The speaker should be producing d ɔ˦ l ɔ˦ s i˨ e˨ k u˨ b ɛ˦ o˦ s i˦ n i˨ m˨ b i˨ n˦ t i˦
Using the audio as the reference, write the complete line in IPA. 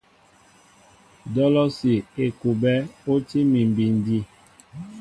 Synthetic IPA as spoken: d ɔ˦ l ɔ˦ s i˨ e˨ k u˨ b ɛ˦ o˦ t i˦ m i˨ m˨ b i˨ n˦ d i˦

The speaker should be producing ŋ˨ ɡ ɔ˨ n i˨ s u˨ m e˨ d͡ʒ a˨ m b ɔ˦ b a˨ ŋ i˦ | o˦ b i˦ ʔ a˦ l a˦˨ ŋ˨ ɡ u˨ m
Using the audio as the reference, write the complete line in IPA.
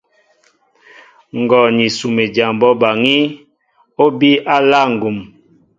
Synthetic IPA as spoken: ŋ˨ ɡ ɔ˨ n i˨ s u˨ m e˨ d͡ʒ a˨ m b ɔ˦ b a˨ ŋ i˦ | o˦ b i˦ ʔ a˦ l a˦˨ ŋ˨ ɡ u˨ m

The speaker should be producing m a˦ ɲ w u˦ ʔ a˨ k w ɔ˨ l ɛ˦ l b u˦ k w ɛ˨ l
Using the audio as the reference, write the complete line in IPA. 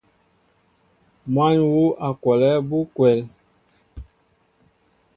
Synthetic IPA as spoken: m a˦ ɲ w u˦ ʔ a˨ k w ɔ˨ l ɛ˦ b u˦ k w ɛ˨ l

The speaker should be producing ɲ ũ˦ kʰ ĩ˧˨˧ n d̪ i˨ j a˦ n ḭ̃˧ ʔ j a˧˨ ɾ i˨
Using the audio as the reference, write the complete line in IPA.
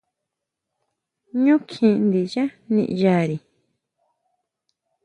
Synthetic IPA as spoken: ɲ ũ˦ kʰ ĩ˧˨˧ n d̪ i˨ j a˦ n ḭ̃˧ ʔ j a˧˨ ɾ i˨

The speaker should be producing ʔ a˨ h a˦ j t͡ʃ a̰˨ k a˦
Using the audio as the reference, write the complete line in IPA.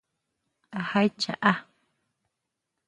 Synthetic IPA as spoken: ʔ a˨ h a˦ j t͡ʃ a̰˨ ʔ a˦

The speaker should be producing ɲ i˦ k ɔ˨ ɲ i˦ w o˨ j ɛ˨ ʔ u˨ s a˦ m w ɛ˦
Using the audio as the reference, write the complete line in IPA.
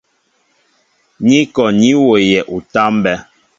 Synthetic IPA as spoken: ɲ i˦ k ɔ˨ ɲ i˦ w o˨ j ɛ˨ ʔ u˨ t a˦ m b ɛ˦

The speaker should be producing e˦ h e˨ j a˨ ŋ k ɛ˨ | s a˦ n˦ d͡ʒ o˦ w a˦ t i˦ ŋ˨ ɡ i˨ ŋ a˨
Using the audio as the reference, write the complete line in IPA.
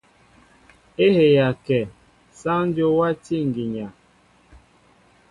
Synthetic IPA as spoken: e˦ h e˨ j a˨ k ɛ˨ | s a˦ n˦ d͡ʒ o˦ w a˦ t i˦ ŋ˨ ɡ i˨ ɲ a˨

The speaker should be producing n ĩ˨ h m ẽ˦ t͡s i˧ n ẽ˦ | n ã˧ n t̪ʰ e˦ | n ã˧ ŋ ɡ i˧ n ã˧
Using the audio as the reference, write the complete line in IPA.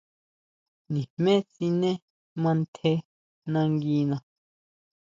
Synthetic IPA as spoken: n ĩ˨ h m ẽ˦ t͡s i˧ n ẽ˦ | m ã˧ n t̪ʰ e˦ | n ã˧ ŋ ɡ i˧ n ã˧

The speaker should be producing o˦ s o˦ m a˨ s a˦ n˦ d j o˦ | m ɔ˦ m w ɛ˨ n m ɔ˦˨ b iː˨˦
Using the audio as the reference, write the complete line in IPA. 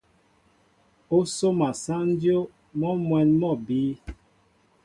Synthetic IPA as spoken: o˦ s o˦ m a˨ s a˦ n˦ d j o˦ | m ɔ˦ m w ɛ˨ n m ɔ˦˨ b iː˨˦

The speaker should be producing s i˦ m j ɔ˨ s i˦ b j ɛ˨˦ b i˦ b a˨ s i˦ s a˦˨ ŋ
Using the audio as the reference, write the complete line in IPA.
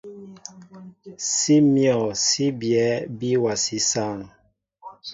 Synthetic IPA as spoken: s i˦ m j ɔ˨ s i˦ b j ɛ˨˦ b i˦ w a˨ s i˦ s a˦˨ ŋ

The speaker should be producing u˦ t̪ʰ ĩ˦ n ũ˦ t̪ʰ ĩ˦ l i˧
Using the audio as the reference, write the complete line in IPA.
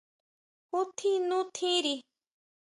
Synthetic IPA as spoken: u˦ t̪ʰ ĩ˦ n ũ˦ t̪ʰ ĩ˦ ɾ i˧

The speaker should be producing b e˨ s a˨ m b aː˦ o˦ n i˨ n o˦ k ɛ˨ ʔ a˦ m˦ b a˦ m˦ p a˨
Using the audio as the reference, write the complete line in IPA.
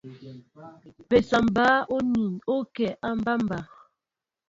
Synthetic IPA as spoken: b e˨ s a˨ m b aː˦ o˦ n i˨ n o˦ k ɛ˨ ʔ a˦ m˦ b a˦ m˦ b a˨

